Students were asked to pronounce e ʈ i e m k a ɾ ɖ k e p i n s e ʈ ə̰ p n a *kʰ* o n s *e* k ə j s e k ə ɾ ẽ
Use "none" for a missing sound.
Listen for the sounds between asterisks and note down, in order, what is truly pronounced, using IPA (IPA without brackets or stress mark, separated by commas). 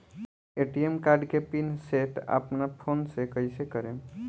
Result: pʰ, e